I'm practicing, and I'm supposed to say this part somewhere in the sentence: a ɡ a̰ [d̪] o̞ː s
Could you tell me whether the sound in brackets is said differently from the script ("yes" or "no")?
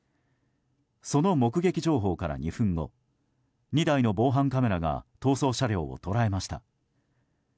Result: yes